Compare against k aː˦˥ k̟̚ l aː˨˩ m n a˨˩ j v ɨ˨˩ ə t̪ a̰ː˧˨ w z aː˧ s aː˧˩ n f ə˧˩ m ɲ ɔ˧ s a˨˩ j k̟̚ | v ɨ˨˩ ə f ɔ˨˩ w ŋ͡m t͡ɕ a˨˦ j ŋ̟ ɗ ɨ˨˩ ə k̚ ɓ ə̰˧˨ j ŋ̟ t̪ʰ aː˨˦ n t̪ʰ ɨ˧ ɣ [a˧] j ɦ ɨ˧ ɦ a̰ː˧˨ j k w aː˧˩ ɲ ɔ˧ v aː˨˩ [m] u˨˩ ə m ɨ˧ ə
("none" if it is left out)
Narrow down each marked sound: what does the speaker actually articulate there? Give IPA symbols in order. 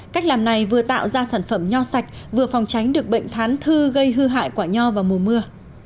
ə˧, m

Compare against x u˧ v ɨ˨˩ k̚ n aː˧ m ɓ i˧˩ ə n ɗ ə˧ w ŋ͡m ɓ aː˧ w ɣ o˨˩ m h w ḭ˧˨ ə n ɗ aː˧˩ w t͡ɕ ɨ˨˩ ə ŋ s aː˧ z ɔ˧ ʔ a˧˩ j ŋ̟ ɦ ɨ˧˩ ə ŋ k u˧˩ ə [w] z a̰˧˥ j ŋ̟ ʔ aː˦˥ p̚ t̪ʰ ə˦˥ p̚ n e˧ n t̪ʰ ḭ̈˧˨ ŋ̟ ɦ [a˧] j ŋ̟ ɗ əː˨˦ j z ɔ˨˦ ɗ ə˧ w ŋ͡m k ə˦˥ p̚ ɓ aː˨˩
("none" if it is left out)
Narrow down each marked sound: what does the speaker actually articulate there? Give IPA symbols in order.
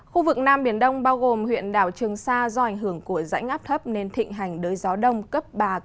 none, a˨˩

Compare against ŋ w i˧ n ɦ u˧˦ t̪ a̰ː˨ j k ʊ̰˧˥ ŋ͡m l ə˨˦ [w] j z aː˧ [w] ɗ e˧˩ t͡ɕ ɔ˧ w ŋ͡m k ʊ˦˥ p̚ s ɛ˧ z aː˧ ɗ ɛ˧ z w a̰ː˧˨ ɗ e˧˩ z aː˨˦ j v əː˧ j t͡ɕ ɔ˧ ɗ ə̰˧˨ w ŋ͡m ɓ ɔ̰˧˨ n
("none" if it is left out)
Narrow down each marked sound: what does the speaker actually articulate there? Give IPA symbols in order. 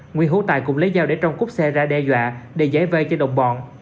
none, w

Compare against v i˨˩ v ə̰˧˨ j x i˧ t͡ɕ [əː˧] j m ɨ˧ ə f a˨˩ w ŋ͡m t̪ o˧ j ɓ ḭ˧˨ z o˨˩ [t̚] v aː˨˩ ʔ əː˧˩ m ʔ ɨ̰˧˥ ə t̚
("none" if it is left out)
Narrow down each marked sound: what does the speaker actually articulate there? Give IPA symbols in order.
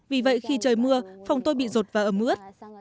əː˨˩, t̚

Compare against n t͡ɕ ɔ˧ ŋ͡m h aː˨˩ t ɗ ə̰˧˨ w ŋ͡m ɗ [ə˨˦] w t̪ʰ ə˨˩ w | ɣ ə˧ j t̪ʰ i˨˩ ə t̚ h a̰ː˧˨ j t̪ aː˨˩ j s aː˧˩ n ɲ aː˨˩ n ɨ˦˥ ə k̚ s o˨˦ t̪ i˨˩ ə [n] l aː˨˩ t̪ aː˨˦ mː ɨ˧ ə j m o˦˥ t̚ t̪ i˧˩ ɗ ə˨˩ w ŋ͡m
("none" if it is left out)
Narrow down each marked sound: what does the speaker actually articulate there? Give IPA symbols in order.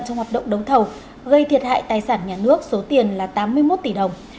ə˨˦, n

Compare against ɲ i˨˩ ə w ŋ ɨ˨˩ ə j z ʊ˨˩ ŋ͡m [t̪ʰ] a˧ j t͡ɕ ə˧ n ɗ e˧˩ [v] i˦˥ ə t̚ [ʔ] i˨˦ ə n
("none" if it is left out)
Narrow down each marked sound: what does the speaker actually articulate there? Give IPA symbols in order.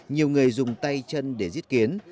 t̪, z, k

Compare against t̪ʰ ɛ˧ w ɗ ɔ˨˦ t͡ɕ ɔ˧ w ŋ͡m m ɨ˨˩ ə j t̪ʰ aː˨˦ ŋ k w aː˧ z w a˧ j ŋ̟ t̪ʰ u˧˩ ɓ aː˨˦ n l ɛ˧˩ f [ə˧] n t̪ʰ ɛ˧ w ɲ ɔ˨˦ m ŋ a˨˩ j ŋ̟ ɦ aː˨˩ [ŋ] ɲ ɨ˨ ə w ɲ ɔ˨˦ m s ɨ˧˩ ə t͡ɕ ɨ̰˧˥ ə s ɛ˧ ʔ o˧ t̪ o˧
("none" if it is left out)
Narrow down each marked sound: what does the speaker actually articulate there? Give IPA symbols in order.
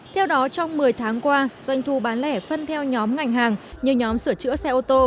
ə˧, ŋ

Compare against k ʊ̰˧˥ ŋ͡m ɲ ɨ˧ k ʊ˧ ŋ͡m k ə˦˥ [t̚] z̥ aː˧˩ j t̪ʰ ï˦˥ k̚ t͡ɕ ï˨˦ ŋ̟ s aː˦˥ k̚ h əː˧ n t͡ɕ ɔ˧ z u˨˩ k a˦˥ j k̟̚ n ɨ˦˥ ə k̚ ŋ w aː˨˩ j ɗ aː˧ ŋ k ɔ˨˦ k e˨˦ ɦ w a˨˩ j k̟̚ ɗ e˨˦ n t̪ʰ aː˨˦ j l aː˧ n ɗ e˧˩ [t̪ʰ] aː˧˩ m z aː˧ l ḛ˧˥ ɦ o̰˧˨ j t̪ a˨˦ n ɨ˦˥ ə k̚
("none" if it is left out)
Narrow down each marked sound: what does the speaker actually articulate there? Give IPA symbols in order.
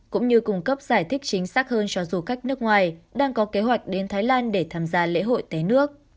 p̚, t̪ʰ

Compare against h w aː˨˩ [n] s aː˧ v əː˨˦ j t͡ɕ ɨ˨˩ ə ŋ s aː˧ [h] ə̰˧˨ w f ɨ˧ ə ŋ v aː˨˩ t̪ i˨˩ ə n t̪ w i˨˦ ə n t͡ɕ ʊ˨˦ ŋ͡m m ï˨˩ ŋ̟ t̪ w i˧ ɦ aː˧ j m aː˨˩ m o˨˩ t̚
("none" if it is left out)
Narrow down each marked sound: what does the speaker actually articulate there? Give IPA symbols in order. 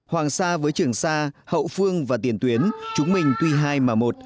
ŋ, h

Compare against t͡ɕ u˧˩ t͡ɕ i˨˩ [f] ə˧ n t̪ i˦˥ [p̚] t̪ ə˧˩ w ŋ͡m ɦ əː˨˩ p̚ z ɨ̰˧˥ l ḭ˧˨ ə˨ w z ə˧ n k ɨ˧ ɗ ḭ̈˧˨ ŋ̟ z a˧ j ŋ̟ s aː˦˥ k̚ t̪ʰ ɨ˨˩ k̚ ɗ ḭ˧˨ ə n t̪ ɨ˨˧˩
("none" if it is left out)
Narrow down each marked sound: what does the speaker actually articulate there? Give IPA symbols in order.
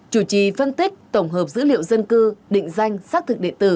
f, k̚

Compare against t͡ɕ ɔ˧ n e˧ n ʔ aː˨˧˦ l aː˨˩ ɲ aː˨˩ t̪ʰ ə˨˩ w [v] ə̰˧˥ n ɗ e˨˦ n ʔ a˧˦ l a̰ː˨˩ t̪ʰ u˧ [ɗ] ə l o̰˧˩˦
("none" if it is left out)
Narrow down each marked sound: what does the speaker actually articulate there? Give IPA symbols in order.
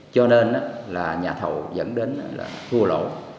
z, none

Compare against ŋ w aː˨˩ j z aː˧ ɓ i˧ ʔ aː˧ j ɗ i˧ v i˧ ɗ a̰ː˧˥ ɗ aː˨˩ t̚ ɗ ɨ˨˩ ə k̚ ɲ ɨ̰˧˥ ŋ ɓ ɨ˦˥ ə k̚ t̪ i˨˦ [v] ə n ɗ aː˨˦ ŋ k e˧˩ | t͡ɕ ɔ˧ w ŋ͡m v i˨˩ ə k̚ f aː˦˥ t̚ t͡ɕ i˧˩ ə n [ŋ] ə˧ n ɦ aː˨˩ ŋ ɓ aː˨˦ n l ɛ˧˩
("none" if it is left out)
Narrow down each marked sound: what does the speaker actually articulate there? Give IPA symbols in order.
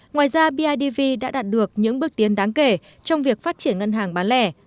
none, ŋ

